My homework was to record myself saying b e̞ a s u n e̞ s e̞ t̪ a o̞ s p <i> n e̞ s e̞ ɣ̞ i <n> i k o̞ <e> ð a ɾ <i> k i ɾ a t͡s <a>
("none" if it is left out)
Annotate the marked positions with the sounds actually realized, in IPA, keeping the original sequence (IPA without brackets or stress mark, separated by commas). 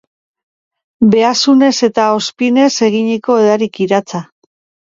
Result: i, ɲ, e, i, a